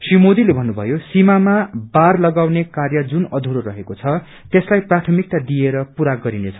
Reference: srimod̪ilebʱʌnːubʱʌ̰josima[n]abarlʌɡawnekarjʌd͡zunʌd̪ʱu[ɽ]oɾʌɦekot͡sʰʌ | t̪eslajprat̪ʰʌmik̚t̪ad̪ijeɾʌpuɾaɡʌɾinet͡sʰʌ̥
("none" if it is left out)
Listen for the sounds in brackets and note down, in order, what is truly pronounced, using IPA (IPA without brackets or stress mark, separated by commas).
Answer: m, ɾ